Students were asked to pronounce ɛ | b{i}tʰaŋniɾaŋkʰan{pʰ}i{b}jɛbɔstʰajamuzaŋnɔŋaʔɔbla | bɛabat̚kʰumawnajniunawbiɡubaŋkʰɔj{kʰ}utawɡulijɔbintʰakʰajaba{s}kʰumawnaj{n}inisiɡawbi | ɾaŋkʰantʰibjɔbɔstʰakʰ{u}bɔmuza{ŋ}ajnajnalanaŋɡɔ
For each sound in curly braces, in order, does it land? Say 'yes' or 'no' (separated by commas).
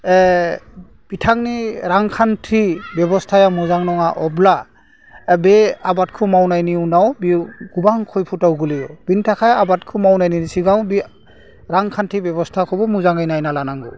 yes, no, yes, no, no, yes, no, yes